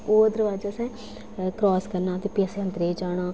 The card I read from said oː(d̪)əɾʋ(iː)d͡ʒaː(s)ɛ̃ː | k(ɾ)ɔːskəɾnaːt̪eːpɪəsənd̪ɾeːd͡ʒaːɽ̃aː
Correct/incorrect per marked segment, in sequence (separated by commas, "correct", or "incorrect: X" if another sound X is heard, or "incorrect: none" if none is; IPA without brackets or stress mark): correct, incorrect: aː, correct, correct